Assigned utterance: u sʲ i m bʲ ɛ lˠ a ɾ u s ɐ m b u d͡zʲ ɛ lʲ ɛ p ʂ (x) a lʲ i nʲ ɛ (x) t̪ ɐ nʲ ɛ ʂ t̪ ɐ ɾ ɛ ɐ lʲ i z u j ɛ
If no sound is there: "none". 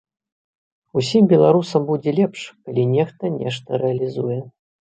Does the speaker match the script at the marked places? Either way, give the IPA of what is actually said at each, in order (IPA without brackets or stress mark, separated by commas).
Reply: k, x